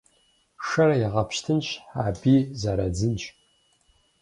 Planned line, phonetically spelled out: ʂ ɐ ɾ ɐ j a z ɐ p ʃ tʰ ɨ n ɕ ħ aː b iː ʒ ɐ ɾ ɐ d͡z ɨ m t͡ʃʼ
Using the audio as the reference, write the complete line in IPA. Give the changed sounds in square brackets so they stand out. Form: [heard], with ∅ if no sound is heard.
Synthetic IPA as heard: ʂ ɐ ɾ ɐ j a [ʁ] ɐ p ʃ tʰ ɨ n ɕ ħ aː b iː [z] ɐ ɾ ɐ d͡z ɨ [n] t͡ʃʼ